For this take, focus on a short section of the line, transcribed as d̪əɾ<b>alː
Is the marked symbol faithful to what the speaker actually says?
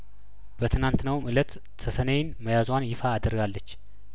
no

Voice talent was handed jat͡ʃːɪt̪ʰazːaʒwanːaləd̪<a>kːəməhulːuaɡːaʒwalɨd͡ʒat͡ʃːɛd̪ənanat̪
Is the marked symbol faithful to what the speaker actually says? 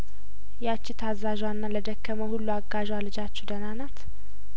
no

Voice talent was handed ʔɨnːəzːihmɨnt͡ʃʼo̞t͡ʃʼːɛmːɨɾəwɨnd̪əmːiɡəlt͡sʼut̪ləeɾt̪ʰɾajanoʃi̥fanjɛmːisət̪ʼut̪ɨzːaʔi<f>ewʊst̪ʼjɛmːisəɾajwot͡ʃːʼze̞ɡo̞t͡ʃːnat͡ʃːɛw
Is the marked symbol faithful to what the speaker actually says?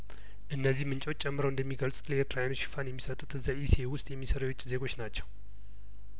no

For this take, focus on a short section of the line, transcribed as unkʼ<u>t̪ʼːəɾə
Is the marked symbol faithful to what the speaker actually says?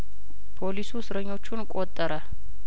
no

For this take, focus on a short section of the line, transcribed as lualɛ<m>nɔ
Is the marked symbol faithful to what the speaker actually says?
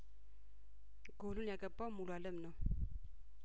yes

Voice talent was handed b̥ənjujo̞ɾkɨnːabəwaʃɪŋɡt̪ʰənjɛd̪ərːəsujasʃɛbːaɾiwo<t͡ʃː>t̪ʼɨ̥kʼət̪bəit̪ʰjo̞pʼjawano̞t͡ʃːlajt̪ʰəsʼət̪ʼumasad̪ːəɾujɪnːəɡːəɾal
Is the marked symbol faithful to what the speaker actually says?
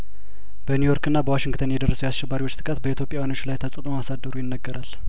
yes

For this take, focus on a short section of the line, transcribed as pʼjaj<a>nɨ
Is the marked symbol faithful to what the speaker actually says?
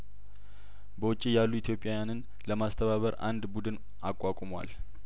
yes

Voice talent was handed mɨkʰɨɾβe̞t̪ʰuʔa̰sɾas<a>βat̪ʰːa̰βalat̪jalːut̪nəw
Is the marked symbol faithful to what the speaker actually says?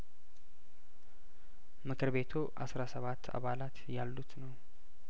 no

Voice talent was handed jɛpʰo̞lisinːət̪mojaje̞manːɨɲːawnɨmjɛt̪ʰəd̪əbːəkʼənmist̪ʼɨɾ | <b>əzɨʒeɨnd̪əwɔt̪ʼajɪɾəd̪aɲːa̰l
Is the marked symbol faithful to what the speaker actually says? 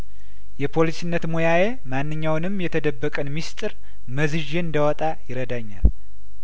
no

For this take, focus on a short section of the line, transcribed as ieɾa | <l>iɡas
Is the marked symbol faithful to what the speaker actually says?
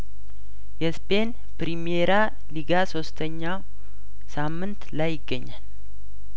yes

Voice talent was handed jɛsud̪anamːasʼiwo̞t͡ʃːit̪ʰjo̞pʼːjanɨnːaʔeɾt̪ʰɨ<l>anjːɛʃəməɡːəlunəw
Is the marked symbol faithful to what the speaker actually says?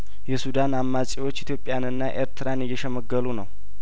no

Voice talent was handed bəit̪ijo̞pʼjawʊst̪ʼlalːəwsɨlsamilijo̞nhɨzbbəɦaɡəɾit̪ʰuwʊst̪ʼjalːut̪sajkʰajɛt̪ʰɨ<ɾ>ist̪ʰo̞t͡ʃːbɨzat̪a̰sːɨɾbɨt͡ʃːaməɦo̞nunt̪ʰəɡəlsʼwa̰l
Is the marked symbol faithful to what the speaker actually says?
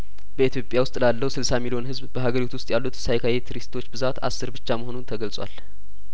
yes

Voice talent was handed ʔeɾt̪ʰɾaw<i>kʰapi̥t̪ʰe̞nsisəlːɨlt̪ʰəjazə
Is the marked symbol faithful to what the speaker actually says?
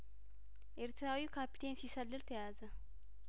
yes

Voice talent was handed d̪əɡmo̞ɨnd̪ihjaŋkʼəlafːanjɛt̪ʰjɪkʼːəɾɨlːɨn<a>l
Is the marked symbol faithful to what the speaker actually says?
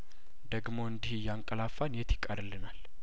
yes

